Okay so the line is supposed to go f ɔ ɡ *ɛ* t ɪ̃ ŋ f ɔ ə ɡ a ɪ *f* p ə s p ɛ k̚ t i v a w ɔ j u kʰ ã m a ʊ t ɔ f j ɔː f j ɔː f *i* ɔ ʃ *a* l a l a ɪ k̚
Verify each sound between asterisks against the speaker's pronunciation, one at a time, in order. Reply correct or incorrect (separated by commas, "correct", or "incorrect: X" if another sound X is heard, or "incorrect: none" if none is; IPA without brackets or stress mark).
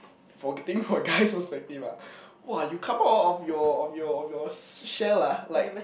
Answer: correct, incorrect: s, incorrect: j, incorrect: ɛ